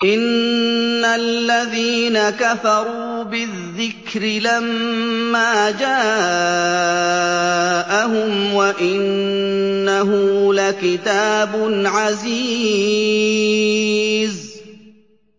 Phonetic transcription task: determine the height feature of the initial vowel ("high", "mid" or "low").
high